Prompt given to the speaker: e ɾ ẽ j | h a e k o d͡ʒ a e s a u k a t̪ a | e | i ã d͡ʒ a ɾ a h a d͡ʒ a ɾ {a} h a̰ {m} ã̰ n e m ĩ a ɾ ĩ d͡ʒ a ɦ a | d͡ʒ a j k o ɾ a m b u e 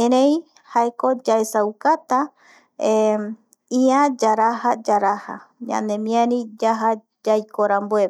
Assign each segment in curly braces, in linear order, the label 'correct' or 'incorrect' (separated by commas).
correct, incorrect